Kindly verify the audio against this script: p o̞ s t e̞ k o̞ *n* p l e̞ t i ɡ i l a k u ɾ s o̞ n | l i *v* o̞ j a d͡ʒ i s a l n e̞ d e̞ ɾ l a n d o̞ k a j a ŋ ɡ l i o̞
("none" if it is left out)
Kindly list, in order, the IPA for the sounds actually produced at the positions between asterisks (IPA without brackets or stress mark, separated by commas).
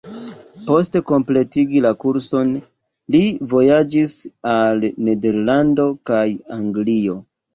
m, v